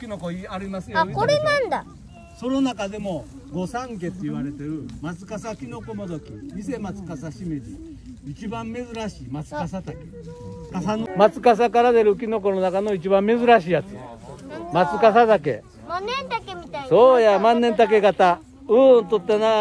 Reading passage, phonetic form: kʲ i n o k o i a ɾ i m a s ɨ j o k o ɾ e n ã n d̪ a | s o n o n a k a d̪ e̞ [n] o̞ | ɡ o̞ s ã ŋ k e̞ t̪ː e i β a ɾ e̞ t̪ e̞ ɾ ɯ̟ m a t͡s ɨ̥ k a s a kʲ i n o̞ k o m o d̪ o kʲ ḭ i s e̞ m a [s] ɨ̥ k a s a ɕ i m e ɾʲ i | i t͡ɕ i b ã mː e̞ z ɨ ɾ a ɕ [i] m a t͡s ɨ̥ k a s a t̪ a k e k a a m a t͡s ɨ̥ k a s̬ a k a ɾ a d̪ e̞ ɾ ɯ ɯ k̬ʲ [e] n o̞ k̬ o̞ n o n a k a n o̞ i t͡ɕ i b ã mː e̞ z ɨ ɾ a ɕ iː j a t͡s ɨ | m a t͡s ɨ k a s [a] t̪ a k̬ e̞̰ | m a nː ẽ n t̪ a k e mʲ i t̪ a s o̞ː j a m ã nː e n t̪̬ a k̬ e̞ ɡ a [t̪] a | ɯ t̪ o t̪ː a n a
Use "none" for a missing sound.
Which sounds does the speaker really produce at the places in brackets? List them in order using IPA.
m, t͡s, iː, i, a, t̪

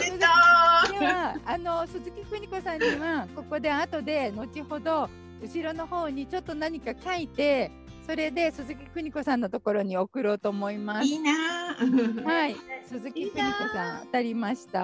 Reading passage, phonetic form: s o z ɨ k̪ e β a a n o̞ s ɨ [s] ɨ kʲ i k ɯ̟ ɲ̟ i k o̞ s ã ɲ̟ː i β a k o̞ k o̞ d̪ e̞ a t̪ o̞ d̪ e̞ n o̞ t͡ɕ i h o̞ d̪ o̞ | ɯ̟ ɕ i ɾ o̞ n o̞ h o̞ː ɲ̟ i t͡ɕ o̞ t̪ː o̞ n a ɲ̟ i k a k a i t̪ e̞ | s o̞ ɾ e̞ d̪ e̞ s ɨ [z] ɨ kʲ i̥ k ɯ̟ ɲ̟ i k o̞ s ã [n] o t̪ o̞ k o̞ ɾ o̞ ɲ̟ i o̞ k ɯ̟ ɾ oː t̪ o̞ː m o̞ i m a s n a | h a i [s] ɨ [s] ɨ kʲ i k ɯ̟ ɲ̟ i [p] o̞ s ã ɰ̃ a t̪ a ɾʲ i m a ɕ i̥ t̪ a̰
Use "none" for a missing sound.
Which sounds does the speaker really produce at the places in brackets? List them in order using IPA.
z, z, nː, s, z, k

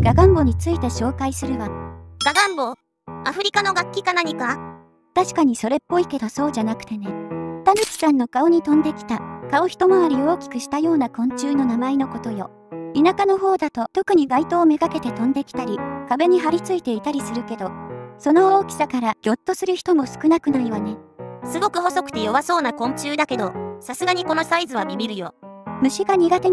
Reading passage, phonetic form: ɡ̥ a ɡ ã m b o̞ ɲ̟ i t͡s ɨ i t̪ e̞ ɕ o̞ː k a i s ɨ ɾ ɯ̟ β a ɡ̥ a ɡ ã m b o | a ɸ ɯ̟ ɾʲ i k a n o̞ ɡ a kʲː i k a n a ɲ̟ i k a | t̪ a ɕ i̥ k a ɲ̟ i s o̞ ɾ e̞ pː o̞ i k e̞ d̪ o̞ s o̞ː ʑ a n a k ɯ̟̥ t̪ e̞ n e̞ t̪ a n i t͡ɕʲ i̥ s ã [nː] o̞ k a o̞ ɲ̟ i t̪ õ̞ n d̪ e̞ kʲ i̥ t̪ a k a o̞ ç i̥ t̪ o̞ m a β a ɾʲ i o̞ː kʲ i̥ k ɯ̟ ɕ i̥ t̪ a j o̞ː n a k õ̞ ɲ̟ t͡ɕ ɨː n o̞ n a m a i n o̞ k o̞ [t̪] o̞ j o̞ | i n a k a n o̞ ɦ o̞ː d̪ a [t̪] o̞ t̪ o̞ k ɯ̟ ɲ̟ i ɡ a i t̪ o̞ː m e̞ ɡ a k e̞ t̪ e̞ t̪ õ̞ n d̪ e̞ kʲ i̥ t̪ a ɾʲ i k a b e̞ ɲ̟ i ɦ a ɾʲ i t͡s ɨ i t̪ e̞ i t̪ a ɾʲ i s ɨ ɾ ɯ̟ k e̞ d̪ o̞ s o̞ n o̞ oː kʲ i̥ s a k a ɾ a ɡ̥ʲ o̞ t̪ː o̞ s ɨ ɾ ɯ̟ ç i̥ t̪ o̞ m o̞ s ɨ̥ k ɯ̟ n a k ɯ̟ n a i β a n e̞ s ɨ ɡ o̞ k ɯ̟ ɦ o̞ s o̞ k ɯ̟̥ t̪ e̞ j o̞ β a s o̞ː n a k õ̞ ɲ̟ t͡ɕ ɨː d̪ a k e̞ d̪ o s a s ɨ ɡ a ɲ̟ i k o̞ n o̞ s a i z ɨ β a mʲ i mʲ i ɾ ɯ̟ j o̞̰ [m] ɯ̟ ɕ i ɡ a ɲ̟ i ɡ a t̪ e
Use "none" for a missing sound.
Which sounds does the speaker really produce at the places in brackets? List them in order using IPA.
nː, t̪, t̪, m

